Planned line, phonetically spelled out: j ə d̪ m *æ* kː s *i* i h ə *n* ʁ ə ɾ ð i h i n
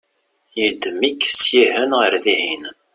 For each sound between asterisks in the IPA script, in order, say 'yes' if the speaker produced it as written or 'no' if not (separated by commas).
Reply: no, no, yes